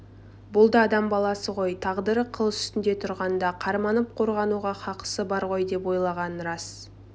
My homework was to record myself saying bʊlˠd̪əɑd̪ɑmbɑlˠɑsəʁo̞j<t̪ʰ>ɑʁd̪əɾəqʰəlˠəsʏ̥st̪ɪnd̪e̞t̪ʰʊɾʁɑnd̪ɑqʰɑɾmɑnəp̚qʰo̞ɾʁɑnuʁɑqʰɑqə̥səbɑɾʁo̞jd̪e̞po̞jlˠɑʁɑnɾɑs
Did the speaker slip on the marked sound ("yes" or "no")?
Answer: no